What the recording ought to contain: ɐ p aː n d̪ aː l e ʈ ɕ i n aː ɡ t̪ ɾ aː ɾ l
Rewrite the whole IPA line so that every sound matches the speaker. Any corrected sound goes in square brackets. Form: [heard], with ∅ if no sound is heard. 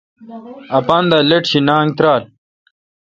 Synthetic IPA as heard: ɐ p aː n d̪ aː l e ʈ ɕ i n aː [ŋ] t̪ ɾ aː [∅] l